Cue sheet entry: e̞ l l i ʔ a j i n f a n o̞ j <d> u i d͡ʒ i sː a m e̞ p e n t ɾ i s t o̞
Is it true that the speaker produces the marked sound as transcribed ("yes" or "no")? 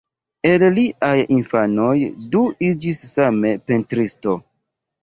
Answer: yes